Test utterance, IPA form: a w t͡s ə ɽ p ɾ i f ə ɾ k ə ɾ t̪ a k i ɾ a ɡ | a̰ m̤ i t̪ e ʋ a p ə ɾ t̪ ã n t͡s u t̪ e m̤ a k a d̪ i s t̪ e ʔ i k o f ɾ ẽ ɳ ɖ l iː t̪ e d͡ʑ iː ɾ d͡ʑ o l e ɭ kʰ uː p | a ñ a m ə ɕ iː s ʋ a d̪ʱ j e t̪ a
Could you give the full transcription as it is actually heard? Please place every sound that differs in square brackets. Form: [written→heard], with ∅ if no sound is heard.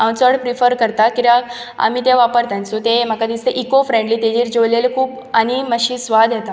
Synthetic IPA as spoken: a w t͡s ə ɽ p ɾ i f ə ɾ k ə ɾ t̪ a k i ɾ a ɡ | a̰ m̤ i t̪ e ʋ a p ə ɾ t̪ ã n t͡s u t̪ e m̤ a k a d̪ i s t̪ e ʔ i k o f ɾ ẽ ɳ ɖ l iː t̪ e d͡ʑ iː ɾ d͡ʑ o l e [ɭ→l] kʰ uː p | a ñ [a→i] m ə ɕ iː s ʋ a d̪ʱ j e t̪ a